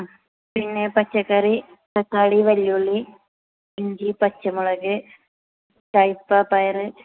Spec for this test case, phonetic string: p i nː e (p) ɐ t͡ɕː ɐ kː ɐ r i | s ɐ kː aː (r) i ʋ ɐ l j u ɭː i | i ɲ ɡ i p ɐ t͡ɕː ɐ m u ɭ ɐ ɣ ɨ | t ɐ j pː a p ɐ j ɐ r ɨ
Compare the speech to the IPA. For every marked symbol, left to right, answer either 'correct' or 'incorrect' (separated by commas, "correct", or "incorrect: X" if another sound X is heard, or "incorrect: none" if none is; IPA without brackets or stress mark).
correct, incorrect: ɽ